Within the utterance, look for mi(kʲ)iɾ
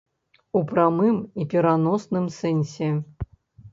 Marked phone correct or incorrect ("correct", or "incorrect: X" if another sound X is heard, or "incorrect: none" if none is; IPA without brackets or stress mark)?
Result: incorrect: pʲ